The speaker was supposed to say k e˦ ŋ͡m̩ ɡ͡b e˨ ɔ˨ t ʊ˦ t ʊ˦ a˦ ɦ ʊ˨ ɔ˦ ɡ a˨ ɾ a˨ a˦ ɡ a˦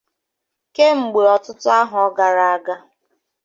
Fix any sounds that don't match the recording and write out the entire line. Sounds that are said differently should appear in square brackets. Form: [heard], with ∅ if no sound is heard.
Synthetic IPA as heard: k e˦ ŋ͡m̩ ɡ͡b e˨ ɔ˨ t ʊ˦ t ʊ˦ a˦ ɦ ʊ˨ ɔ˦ ɡ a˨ ɾ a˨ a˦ ɡ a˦